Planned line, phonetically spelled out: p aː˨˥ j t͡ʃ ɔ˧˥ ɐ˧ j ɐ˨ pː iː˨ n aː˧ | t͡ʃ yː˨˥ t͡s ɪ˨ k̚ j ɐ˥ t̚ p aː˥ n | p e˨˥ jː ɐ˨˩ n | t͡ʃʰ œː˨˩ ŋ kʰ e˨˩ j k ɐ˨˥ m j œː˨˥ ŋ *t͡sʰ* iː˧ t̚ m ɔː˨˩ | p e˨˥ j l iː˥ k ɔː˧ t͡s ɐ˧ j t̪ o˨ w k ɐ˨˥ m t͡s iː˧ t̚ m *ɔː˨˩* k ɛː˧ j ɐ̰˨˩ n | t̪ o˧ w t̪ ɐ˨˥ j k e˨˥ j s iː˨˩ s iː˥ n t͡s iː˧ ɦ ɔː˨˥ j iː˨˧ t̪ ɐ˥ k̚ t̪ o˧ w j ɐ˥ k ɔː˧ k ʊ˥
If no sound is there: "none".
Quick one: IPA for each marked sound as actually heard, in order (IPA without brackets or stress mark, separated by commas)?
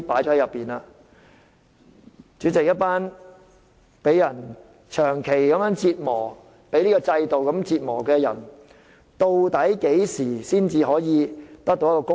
t͡s, ɔː˨˩